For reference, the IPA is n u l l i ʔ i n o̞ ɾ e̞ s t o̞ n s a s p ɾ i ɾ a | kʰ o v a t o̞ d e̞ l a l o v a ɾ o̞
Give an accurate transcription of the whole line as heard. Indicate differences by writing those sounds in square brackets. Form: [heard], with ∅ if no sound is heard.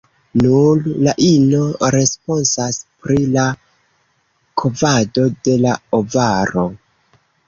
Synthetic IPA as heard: n u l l [a] ʔ i n o̞ ɾ e̞ s [p] o̞ n s a s p ɾ i [l] a | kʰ o v a [d] o̞ d e̞ l a [∅] o v a ɾ o̞